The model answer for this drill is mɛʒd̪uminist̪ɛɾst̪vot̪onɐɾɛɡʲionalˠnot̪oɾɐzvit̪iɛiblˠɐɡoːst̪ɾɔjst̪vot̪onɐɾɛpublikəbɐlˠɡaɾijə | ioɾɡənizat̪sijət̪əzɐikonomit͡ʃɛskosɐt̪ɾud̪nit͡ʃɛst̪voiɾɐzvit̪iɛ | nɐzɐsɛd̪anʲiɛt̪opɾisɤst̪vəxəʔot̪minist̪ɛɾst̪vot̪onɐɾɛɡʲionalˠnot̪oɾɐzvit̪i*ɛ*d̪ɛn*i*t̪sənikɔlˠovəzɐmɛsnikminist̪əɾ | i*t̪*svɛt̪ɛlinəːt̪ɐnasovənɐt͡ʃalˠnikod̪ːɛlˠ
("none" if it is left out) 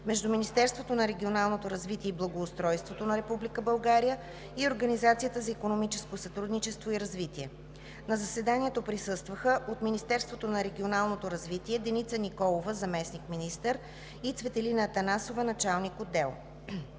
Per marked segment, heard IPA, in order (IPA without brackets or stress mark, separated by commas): ɛ, i, t̪